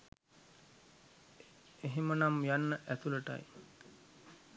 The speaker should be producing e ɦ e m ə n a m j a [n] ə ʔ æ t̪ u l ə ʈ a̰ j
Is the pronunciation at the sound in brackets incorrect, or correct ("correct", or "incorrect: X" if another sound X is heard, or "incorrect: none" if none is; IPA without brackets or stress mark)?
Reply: incorrect: nː